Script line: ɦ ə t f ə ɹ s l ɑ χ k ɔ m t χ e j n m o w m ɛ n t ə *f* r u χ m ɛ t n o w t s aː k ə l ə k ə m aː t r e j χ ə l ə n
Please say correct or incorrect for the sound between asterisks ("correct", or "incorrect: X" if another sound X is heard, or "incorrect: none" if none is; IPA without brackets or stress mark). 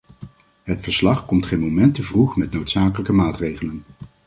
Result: incorrect: v